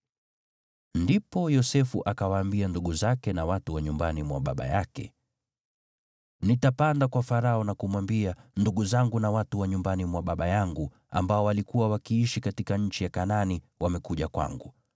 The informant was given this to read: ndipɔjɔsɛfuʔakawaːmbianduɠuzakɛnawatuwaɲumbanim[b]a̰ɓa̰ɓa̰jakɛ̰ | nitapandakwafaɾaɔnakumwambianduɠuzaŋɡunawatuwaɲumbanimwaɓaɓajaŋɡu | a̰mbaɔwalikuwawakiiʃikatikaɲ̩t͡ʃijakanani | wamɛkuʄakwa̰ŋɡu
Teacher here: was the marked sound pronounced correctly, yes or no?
no